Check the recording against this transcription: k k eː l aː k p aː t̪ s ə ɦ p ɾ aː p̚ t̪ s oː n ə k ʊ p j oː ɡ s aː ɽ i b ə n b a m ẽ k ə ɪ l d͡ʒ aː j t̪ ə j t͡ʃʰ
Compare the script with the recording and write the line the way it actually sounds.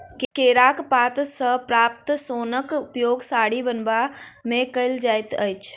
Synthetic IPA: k k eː ɾ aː k p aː t̪ s ə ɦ p ɾ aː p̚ t̪ s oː n ə k ʊ p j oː ɡ s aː ɽ i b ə n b a m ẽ k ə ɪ l d͡ʒ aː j t̪ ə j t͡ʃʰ